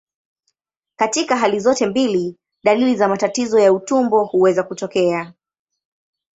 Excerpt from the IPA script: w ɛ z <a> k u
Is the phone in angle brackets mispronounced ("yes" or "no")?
no